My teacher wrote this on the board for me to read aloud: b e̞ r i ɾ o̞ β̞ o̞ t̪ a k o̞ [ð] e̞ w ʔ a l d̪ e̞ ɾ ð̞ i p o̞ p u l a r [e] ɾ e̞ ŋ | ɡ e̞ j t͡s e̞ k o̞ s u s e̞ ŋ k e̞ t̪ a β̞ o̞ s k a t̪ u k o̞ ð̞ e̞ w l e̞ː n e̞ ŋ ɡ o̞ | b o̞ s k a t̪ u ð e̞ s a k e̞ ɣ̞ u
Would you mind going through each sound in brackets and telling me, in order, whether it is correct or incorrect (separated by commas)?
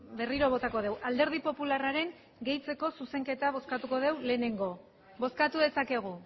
correct, incorrect